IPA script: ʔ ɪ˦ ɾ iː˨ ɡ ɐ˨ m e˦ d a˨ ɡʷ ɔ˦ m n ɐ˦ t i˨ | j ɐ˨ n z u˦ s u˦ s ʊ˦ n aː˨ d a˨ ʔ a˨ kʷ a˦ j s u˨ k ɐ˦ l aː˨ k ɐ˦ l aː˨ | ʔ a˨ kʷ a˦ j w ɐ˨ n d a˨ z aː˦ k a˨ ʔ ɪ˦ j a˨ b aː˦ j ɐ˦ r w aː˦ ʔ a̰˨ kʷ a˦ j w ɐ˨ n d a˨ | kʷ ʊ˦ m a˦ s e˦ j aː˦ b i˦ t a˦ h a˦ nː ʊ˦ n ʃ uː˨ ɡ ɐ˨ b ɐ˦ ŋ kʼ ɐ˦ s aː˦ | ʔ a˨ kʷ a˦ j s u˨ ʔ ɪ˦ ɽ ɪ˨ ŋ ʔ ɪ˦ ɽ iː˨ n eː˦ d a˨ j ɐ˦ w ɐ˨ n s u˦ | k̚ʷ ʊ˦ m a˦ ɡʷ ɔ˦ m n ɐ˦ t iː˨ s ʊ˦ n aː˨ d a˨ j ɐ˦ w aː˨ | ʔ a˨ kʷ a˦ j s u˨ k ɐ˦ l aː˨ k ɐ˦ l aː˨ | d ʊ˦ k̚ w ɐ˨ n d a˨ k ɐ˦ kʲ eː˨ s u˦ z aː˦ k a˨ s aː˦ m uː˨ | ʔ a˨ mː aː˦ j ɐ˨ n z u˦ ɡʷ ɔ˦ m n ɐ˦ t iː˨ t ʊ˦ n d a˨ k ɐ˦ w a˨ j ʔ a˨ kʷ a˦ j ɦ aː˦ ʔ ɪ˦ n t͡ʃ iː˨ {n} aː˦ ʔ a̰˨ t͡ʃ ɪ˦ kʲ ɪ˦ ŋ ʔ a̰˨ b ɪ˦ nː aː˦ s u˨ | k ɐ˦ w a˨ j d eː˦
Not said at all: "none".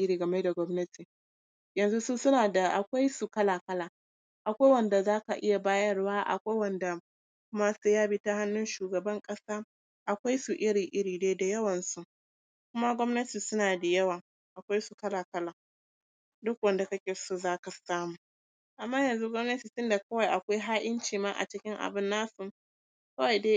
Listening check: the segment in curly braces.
m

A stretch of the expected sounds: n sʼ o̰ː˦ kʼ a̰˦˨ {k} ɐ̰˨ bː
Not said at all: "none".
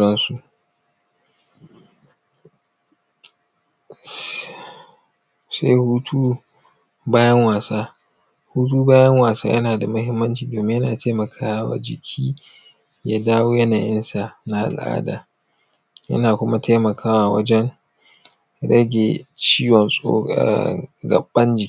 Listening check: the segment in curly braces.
ɡ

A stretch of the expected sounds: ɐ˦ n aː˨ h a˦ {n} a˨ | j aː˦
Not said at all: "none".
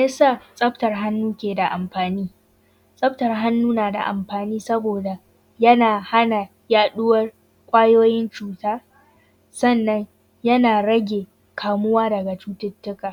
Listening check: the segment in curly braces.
n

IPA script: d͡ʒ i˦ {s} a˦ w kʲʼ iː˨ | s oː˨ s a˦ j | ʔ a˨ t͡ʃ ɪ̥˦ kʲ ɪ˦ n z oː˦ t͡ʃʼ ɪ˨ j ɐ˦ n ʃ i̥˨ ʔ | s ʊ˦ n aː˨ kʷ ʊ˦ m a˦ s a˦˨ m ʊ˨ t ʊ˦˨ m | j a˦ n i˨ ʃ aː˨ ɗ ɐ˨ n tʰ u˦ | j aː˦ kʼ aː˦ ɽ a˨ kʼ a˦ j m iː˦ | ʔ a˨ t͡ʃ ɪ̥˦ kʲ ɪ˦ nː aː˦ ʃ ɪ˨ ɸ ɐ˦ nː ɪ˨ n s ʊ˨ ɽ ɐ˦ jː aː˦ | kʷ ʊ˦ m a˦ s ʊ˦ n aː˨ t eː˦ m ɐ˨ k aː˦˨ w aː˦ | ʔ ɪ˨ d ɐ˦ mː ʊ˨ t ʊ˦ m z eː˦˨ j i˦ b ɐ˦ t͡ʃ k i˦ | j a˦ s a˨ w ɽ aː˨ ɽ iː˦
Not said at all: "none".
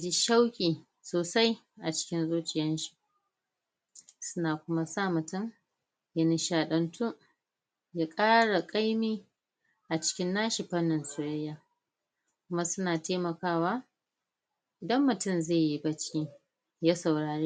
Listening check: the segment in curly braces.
ʃ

